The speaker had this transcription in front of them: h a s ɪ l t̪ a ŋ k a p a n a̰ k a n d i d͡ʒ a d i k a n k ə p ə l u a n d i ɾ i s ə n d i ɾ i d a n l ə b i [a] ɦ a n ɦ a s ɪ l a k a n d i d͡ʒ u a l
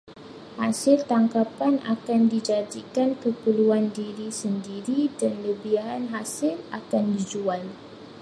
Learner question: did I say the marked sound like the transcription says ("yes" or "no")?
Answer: yes